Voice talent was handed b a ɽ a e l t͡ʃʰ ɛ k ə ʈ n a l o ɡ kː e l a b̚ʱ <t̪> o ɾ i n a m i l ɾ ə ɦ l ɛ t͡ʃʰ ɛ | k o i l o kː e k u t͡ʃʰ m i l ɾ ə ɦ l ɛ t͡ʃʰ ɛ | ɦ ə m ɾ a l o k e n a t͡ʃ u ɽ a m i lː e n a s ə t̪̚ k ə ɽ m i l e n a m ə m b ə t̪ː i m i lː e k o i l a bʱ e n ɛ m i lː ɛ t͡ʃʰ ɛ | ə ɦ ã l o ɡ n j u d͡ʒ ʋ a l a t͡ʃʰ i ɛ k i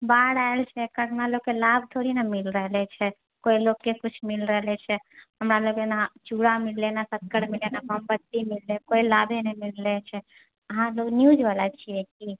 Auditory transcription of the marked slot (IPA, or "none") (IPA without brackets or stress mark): t̪ʰ